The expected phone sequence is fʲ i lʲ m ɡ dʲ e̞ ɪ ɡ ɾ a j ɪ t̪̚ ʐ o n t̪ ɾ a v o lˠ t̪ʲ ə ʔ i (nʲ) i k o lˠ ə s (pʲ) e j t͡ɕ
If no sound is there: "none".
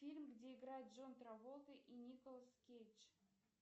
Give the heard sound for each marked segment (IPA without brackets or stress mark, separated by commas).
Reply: nʲ, kʲ